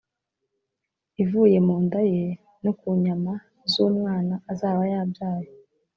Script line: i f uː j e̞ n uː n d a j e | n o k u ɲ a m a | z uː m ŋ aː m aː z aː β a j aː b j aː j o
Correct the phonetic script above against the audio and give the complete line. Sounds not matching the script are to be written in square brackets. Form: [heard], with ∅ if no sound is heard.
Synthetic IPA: i [v] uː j e̞ [m] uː n d a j e | n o k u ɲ a m a | z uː m ŋ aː [n] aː z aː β a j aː b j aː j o